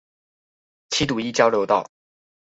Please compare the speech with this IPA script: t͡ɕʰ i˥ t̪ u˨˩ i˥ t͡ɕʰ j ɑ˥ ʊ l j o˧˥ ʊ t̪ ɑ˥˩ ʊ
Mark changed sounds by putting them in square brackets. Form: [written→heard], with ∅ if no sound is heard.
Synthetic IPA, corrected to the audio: t͡ɕʰ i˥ t̪ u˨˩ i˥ [t͡ɕʰ→t͡ɕ] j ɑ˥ ʊ l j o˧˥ ʊ t̪ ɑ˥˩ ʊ